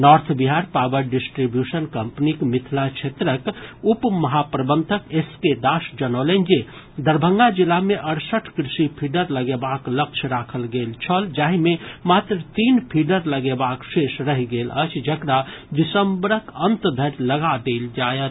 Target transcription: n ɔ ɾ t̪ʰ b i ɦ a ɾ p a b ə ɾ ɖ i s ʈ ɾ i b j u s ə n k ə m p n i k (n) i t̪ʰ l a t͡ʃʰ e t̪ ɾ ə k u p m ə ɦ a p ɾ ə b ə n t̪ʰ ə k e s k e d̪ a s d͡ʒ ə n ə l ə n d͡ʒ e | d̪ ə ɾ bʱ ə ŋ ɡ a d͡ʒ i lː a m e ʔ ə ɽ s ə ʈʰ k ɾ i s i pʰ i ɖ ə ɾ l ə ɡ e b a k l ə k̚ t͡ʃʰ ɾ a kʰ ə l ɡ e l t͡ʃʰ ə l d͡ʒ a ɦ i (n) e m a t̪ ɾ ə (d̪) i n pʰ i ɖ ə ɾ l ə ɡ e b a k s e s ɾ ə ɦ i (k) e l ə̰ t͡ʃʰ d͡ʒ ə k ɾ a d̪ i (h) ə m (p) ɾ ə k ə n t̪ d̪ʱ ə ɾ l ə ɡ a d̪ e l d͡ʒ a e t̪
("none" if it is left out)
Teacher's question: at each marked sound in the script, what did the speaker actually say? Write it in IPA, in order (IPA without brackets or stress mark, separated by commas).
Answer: m, m, t̪, ɡ, s, b